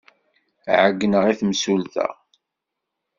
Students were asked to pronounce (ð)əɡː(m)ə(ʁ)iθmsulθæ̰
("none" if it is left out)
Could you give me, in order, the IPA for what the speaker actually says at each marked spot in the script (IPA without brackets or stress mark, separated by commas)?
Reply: ʕ, n, ʁ